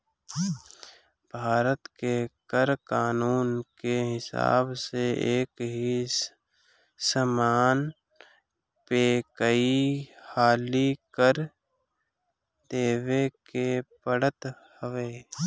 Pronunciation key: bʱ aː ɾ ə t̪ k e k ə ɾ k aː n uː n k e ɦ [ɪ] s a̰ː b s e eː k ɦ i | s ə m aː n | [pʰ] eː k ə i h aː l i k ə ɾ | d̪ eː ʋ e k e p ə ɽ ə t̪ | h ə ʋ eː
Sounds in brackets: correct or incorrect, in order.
correct, incorrect: p

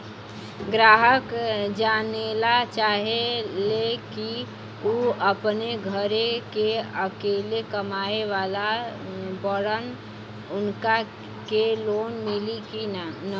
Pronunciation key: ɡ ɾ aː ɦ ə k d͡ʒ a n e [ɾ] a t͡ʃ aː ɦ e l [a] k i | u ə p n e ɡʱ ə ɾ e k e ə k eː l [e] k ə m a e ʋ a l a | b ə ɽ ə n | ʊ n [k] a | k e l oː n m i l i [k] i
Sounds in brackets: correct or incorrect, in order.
incorrect: l, incorrect: e, correct, correct, correct

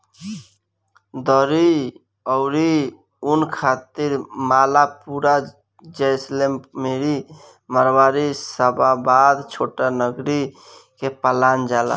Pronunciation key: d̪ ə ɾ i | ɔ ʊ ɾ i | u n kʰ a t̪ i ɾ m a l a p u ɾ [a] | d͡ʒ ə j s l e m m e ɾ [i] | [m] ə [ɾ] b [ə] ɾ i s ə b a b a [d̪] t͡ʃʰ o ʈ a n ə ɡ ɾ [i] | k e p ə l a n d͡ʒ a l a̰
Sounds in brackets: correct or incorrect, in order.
correct, correct, correct, correct, incorrect: a, correct, correct

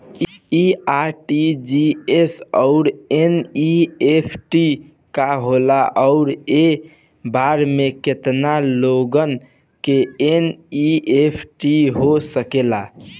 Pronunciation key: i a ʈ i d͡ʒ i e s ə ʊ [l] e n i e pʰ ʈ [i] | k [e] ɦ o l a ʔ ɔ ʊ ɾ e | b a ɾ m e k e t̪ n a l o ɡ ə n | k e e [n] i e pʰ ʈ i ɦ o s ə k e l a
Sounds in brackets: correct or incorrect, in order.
incorrect: ɾ, correct, incorrect: a, correct

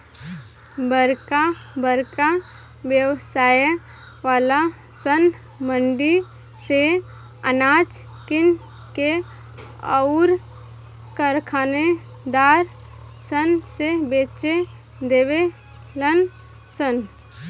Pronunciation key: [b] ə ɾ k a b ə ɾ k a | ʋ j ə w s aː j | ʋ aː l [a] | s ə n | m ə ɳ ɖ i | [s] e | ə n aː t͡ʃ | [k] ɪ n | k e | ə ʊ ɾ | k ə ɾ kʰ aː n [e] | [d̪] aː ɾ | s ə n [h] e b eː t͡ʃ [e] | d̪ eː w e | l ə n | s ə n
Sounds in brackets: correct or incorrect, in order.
correct, correct, correct, correct, correct, correct, incorrect: s, correct

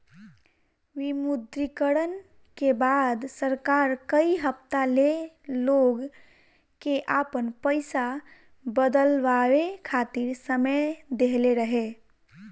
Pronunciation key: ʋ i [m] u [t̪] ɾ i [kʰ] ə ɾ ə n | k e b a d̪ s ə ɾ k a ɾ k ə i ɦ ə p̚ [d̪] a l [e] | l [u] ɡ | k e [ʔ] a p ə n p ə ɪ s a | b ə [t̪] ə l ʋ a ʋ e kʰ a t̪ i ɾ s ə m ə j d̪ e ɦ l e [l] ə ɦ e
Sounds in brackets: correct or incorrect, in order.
correct, incorrect: d̪, incorrect: k, incorrect: t̪, correct, incorrect: o, correct, incorrect: d̪, incorrect: ɾ

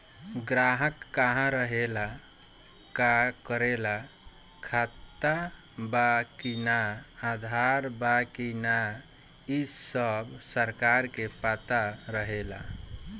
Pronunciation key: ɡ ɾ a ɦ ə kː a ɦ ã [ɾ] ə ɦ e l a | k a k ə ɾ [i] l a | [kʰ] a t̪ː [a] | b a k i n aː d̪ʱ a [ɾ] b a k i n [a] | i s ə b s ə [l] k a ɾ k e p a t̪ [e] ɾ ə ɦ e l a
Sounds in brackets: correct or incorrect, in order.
correct, incorrect: e, correct, correct, correct, correct, incorrect: ɾ, incorrect: a

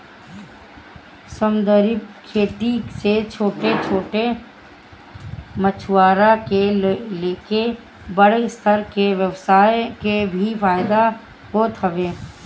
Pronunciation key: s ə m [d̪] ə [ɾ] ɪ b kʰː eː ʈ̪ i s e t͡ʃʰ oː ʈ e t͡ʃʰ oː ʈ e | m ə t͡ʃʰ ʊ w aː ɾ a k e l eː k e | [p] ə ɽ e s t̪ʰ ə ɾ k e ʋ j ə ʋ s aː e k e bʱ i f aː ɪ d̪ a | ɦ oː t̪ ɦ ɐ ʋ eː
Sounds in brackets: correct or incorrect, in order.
correct, correct, incorrect: b

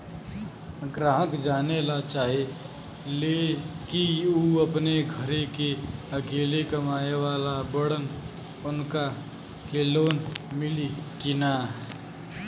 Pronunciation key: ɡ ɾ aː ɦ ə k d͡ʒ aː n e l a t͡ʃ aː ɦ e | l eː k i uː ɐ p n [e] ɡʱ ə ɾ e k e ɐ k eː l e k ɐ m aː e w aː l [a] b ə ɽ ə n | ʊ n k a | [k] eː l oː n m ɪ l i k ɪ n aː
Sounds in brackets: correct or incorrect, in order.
correct, correct, correct

